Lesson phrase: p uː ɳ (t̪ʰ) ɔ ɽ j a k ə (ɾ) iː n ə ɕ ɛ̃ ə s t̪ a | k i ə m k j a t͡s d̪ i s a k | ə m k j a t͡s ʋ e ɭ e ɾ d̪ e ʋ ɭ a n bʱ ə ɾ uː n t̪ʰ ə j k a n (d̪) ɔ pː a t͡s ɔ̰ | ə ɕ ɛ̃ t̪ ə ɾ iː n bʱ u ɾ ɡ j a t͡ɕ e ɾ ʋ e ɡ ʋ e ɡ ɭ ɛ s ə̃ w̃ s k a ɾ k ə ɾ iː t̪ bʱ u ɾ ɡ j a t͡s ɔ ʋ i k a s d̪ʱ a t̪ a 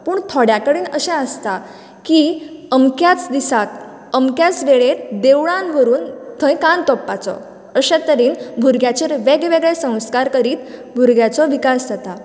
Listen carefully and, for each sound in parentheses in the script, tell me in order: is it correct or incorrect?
correct, incorrect: ɽ, incorrect: t̪

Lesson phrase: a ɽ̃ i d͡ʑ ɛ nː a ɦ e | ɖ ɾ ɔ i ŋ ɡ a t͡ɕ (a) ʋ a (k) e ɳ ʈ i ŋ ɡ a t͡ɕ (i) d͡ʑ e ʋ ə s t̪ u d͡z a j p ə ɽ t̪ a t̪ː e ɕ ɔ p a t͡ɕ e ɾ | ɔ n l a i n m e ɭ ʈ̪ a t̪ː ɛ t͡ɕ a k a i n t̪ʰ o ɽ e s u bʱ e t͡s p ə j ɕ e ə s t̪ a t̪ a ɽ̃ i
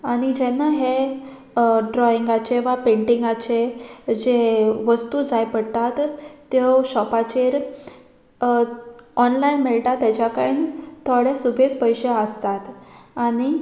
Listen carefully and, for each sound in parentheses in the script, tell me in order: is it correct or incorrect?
incorrect: e, incorrect: p, incorrect: e

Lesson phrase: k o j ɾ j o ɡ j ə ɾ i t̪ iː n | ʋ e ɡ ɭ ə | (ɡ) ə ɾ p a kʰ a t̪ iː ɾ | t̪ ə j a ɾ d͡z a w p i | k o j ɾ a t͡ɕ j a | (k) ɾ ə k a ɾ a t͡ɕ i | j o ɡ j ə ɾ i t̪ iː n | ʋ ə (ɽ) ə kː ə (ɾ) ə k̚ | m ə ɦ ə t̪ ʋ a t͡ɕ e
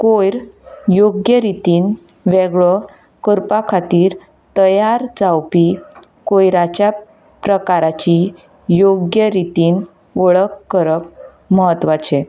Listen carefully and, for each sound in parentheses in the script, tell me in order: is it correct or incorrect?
incorrect: k, incorrect: p, incorrect: ɭ, correct

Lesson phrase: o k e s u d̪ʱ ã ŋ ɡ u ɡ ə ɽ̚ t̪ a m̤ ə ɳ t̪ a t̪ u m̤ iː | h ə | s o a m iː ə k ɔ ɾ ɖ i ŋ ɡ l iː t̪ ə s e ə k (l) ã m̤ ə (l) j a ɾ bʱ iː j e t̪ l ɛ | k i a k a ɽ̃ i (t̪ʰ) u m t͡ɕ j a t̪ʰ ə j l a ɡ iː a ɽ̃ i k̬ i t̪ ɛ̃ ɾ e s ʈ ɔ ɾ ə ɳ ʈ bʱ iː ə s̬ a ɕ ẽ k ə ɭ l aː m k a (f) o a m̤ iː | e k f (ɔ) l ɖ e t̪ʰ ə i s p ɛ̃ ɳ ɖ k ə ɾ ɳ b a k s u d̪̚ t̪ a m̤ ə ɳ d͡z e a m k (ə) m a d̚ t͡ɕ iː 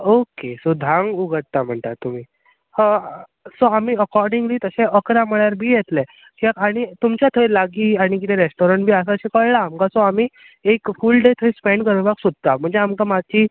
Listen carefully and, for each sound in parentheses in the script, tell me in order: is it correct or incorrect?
incorrect: ɾ, incorrect: ɭ, incorrect: t̪, incorrect: s, incorrect: u, incorrect: a

